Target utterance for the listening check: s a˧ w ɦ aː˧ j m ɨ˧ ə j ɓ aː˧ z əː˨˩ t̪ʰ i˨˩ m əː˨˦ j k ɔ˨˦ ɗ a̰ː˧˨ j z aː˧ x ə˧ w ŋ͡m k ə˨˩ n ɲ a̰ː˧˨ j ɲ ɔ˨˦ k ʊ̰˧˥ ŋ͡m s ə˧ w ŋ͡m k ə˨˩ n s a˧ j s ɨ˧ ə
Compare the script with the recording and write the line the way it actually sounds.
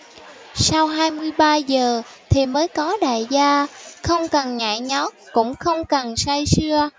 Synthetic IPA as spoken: s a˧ w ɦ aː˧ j m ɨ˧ ə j ɓ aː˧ z əː˨˩ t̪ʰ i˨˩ m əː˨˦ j k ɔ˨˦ ɗ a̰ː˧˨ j z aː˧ x ə˧ w ŋ͡m k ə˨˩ n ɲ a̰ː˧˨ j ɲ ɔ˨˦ k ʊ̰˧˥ ŋ͡m x ə˧ w ŋ͡m k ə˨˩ n s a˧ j s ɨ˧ ə

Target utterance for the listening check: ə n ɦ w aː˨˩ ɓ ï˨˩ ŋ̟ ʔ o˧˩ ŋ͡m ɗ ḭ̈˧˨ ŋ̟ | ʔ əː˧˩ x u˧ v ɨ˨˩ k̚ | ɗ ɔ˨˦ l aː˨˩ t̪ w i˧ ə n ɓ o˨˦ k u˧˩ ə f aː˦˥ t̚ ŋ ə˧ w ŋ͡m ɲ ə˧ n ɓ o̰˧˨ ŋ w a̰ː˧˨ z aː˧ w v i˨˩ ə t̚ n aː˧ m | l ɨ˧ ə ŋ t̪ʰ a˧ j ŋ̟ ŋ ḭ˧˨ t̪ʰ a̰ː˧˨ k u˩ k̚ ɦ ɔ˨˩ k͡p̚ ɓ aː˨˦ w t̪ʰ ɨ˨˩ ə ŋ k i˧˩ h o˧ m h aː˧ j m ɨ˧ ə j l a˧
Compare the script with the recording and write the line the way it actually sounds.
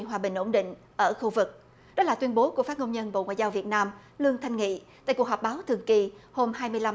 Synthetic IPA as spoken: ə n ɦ w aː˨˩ ɓ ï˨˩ ŋ̟ ʔ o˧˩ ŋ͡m ɗ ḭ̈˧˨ ŋ̟ | ʔ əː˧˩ x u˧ v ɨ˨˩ k̚ | ɗ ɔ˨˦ l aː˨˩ t̪ w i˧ ə n ɓ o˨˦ k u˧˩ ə f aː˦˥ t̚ ŋ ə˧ w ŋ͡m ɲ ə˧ n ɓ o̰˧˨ ŋ w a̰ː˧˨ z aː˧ w v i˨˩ ə t̚ n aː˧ m | l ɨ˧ ə ŋ t̪ʰ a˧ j ŋ̟ ŋ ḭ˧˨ t̪ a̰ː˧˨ k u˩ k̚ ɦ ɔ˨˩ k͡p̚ ɓ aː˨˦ w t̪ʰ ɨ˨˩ ə ŋ k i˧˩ h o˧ m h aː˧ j m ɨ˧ ə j l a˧

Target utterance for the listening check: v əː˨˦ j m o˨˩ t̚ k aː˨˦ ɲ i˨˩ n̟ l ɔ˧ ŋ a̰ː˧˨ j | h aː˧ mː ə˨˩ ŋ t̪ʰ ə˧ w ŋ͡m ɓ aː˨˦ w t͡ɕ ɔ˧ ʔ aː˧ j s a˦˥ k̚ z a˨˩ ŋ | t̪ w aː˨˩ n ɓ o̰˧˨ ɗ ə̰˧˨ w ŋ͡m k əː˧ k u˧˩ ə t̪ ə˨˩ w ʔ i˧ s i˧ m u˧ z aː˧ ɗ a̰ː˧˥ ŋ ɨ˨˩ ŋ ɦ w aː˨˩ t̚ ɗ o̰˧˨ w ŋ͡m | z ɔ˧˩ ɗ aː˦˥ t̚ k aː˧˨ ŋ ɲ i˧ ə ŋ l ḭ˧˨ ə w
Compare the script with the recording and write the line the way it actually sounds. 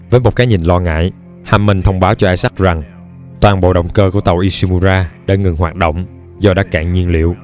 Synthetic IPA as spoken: v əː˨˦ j m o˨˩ t̚ k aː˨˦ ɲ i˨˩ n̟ l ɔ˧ ŋ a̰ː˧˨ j | h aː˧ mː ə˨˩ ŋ t̪ʰ ə˧ w ŋ͡m ɓ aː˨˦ w t͡ɕ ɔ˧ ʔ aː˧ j s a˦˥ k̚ z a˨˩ ŋ | t̪ w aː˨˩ n ɓ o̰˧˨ ɗ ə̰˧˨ w ŋ͡m k əː˧ k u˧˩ ə t̪ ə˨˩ w ʔ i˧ s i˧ m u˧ z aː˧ ɗ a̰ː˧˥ ŋ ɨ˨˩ ŋ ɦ w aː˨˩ t̚ ɗ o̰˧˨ w ŋ͡m | z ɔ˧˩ ɗ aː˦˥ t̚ k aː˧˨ ŋ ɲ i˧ ə n l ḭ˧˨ ə w

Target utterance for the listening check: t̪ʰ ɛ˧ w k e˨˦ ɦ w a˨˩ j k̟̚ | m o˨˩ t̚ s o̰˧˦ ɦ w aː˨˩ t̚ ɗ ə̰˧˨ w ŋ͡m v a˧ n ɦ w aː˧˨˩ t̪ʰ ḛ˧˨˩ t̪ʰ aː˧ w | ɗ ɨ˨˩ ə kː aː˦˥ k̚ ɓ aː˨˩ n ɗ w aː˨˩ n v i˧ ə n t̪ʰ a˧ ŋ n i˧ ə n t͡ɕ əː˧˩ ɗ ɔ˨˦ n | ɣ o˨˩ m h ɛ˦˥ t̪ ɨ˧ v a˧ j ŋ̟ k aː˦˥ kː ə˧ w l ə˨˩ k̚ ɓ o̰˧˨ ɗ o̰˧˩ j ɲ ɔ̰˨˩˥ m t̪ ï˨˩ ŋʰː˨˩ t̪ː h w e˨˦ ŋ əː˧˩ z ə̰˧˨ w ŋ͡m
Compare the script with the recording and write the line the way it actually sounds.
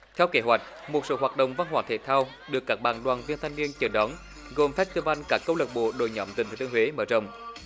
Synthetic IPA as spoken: t̪ʰ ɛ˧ w k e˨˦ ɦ w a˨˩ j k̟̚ | m o˨˩ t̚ s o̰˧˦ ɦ w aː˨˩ t̚ ɗ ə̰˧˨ w ŋ͡m v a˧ n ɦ w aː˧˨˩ t̪ʰ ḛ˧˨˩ t̪ʰ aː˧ w | ɗ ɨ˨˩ ə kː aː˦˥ k̚ ɓ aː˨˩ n ɗ w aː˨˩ n v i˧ ə n t̪ʰ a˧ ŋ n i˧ ə n t͡ɕ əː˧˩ ɗ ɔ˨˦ n | ɣ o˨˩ m f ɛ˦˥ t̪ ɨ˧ v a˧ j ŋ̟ k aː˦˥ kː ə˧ w l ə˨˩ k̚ ɓ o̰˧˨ ɗ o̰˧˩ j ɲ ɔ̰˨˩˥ m t̪ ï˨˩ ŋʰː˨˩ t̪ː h w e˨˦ m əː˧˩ z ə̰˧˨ w ŋ͡m

